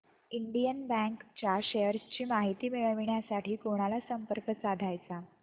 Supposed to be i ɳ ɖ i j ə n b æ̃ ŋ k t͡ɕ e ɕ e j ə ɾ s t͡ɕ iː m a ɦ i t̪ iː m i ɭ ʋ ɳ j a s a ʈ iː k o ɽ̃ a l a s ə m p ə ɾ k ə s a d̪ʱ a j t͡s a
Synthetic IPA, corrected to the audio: i ɳ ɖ i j ə n b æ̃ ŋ k t͡ɕ a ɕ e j ə ɾ s t͡ɕ iː m a ɦ i t̪ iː m i ɭ ʋ ɳ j a s a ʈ iː k o ɽ̃ a l a s ə m p ə ɾ k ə s a d̪ʱ a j t͡s a